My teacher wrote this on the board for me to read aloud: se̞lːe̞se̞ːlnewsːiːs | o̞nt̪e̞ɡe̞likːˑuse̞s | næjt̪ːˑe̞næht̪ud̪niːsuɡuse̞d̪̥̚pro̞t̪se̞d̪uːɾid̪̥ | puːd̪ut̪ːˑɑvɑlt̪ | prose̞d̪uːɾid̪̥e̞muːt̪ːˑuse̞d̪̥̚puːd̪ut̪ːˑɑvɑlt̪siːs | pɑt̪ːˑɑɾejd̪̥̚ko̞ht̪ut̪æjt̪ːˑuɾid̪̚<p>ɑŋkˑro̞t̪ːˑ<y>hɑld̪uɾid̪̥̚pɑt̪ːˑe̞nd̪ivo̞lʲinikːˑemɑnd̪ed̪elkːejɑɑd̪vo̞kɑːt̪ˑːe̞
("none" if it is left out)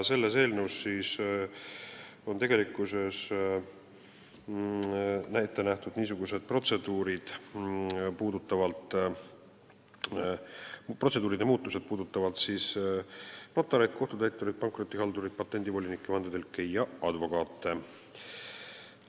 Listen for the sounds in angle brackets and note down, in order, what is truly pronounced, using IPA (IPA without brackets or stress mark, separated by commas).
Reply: p, i